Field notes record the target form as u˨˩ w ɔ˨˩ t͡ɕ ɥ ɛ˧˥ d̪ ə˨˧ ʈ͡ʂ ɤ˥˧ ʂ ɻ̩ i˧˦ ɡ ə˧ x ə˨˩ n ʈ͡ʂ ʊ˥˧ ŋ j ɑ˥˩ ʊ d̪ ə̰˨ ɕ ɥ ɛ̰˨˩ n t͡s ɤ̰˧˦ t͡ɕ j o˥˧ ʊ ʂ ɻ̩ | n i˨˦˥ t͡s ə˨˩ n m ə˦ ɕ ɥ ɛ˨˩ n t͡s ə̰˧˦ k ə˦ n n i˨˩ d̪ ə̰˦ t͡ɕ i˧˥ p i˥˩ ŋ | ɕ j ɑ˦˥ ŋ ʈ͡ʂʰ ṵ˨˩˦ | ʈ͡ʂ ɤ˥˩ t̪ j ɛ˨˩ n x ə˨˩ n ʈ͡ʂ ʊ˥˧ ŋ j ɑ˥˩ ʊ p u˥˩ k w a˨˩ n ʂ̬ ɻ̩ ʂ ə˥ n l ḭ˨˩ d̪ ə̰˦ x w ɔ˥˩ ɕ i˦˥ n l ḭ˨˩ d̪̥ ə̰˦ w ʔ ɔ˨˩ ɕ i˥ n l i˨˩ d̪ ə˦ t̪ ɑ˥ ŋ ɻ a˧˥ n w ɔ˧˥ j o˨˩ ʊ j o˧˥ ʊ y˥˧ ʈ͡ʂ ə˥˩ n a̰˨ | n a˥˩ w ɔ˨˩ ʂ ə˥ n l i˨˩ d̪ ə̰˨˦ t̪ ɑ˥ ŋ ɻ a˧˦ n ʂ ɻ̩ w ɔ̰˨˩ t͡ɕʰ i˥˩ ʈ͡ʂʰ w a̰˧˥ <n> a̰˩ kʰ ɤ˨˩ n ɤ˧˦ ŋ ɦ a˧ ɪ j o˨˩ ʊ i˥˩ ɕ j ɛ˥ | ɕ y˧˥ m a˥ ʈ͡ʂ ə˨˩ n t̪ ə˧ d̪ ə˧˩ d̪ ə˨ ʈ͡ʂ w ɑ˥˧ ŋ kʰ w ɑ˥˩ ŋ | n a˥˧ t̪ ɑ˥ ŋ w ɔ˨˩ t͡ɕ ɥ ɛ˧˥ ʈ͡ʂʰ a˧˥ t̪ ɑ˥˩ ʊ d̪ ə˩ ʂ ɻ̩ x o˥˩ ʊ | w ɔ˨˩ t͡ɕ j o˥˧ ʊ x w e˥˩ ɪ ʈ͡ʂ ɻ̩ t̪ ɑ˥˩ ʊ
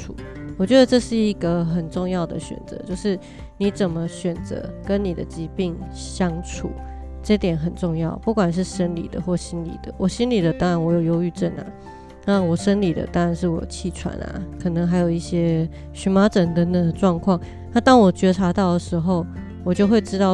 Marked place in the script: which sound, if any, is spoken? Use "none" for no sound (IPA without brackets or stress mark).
n